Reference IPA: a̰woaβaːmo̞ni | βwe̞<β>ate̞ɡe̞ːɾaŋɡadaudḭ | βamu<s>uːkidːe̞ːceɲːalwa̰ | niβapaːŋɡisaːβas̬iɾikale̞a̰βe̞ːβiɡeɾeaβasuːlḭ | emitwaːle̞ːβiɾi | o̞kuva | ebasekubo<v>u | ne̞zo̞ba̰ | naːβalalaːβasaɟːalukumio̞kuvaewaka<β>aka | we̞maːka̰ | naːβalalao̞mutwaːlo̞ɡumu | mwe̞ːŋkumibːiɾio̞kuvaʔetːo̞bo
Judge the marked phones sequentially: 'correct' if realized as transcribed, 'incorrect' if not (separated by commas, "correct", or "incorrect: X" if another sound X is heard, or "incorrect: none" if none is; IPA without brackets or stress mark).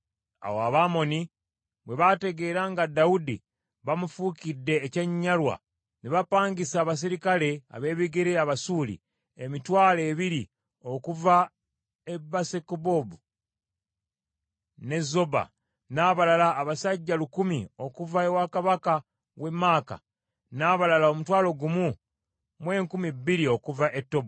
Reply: correct, incorrect: f, incorrect: b, correct